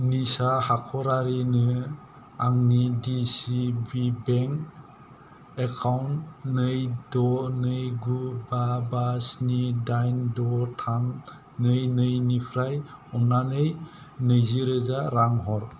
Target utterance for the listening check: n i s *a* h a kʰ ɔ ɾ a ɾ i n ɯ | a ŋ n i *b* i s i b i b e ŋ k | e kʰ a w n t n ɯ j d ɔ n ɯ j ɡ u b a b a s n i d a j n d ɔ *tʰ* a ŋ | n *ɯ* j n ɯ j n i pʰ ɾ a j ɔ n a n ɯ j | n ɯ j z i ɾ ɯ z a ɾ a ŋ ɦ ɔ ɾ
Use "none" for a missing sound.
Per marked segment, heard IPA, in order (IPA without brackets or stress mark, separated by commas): a, d, tʰ, ɯ